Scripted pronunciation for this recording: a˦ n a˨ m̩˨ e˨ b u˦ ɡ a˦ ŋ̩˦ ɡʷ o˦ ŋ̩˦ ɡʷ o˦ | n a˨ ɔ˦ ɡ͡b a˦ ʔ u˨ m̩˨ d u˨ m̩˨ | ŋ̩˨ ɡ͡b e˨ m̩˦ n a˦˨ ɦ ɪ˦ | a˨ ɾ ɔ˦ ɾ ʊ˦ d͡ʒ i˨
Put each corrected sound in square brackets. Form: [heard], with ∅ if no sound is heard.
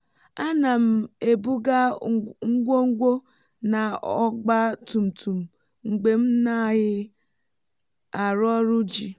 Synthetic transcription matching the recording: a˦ n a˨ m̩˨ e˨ b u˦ ɡ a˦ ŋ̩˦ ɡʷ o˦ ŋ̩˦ ɡʷ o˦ | n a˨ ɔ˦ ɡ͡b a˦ [t] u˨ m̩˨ [t] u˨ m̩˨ | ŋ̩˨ ɡ͡b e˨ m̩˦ n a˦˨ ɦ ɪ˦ | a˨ ɾ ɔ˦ ɾ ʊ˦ d͡ʒ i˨